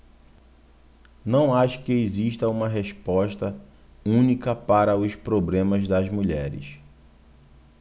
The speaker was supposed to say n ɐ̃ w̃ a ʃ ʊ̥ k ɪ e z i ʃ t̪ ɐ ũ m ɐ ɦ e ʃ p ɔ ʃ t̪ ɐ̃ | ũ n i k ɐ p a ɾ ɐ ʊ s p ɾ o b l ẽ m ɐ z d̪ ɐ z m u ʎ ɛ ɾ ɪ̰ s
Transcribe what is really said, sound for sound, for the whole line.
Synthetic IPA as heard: n ɐ̃ w̃ a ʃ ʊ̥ k ɪ e z i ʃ t̪ ɐ ũ m ɐ ɦ e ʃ p ɔ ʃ t̪ ɐ | ũ n i k ɐ p a ɾ ɐ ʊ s p ɾ o b l ẽ m ɐ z d̪ ɐ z m u ʎ ɛ ɾ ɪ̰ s